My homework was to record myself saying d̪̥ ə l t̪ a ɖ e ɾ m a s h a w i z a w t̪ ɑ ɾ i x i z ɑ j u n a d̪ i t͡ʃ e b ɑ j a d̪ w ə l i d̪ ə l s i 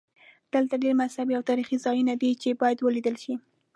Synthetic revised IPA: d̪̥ ə l t̪ a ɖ e ɾ m a s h a b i a w t̪ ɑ ɾ i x i z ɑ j u n a d̪ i t͡ʃ e b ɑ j a d̪ w ə l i d̪ ə l ʃ i